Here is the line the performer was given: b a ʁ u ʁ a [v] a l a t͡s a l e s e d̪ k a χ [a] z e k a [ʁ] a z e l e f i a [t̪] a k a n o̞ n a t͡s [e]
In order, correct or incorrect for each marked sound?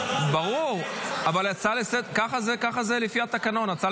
correct, correct, incorrect: χ, correct, incorrect: a

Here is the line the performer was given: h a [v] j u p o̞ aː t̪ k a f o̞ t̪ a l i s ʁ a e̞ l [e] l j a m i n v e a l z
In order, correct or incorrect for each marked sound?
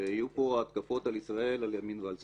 incorrect: none, incorrect: a

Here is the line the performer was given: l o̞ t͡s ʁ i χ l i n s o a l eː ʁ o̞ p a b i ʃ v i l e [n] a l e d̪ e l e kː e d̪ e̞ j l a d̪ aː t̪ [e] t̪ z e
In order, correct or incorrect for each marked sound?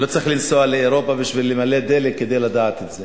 incorrect: m, correct

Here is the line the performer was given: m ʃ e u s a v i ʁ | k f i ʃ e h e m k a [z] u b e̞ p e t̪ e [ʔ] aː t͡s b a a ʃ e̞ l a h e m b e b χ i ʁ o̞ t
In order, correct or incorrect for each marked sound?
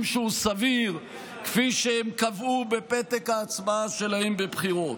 incorrect: v, incorrect: k

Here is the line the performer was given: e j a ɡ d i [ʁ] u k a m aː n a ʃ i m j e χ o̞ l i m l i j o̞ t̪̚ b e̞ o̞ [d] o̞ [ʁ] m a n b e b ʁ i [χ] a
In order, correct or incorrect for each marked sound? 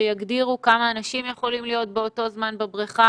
correct, incorrect: t, incorrect: z, correct

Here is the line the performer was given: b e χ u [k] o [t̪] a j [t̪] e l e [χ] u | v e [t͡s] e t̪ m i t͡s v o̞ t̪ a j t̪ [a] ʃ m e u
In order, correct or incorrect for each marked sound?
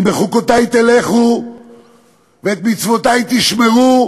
correct, correct, correct, correct, incorrect: none, incorrect: i

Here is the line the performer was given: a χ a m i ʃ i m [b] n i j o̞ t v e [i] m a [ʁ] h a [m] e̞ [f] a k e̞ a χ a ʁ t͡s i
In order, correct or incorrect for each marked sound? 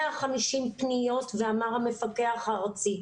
incorrect: p, incorrect: a, correct, correct, correct

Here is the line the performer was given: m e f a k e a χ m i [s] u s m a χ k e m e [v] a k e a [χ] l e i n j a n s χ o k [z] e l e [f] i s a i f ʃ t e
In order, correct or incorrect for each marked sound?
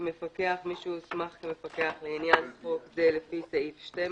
incorrect: ʃ, incorrect: f, correct, correct, correct

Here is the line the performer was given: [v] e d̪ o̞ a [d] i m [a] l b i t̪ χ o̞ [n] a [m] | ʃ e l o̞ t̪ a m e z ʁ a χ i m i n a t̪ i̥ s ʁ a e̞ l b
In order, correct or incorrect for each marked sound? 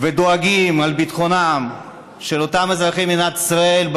correct, incorrect: ɡ, correct, correct, correct

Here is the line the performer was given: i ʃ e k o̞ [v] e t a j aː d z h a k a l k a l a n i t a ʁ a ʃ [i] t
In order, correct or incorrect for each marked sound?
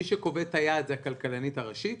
correct, correct

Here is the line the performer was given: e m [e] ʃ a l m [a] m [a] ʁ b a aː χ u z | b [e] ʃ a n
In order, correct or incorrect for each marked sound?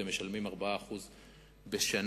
correct, incorrect: i, correct, correct

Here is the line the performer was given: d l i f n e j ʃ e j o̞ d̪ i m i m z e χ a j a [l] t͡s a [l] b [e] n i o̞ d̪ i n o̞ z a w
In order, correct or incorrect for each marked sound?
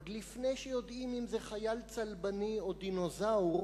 correct, correct, incorrect: a

